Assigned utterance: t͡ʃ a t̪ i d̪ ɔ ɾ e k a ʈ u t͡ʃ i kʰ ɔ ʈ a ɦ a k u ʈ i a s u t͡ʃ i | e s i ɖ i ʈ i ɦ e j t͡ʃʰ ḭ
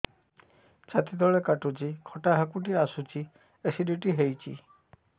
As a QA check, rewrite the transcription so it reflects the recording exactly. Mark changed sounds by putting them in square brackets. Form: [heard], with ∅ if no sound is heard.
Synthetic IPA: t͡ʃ a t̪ i d̪ ɔ [ɭ] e k a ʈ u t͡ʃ i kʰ ɔ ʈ a ɦ a k u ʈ i a s u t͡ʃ i | e s i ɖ i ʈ i ɦ e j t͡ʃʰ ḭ